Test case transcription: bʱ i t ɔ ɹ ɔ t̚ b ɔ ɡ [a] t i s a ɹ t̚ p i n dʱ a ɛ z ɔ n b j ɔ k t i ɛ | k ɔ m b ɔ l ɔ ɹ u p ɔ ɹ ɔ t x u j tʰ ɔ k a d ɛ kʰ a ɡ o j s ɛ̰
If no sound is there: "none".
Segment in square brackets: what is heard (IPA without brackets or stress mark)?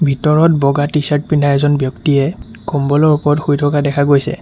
a